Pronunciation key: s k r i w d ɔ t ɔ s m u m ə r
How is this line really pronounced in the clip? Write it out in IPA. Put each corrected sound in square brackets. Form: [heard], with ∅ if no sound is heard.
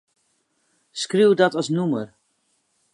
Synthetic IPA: s k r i w d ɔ t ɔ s [n] u m ə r